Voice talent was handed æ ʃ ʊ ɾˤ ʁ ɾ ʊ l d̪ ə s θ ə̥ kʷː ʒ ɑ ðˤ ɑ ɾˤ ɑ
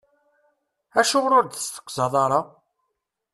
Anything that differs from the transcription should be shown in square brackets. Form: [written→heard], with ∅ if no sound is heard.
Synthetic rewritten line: æ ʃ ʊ [ɾˤ→∅] ʁ ɾ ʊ [l→ɾ] d̪ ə s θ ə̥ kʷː [ʒ→z] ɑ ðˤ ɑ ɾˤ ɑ